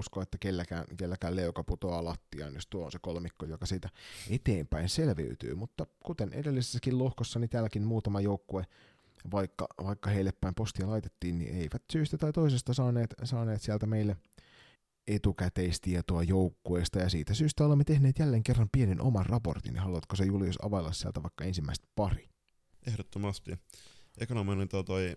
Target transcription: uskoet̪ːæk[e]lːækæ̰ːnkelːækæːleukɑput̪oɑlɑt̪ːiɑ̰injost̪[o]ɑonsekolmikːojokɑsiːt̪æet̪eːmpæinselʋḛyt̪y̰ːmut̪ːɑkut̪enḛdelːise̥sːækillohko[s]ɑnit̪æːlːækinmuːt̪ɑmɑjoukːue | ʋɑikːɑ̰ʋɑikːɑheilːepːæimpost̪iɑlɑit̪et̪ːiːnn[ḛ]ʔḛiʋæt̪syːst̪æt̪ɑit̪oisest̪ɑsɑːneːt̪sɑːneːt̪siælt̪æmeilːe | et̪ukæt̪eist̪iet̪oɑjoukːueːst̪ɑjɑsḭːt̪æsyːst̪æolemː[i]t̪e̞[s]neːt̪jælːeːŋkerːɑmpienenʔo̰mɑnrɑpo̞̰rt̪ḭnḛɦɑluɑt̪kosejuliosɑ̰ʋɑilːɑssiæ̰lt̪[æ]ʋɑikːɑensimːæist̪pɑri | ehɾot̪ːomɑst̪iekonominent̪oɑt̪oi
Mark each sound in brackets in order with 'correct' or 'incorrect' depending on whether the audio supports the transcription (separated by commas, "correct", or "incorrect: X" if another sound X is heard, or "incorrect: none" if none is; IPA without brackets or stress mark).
correct, incorrect: u, incorrect: sː, incorrect: ḭ, incorrect: e, incorrect: h, correct